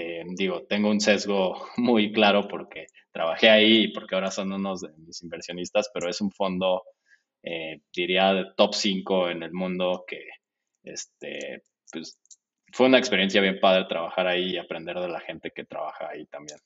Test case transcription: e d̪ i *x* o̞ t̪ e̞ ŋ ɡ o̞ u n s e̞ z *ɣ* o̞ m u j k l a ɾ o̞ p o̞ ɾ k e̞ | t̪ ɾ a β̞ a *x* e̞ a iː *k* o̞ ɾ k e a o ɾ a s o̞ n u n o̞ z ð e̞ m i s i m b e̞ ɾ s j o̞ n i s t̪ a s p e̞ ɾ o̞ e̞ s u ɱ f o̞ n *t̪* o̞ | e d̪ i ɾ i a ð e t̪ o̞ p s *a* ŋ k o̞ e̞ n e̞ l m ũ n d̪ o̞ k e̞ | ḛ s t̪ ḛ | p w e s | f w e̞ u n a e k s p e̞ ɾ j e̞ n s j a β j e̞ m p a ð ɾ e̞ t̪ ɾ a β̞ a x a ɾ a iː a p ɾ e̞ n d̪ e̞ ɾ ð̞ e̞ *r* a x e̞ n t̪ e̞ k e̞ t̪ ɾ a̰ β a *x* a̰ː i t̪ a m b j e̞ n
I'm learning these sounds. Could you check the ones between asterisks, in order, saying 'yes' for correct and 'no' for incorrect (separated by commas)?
no, yes, yes, no, no, no, no, yes